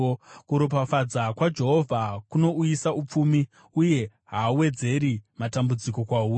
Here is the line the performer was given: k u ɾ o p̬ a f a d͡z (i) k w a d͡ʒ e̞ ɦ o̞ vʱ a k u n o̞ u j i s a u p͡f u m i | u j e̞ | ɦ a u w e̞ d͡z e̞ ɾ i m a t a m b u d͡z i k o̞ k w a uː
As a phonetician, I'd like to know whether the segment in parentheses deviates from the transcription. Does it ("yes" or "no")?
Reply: yes